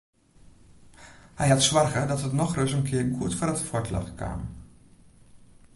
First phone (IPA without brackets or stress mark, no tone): h